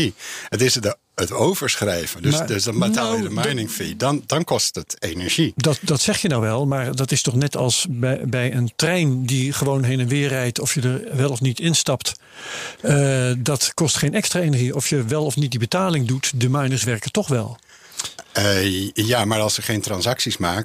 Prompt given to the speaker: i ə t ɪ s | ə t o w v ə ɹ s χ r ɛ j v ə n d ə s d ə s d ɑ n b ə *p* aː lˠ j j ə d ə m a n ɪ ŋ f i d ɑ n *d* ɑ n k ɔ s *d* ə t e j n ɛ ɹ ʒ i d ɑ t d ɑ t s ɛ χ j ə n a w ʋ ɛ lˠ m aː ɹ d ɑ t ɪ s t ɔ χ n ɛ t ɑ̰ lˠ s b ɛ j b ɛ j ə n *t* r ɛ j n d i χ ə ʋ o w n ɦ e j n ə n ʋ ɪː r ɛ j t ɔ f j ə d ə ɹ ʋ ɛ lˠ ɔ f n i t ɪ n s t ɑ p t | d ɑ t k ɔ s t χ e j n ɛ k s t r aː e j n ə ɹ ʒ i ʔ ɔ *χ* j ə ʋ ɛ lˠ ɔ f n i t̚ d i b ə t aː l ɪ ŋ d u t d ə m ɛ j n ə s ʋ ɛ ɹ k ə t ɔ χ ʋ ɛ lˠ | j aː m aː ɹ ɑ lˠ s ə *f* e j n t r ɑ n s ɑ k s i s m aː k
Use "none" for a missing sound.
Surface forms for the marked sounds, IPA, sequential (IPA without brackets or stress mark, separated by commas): t, d, t, t, f, χ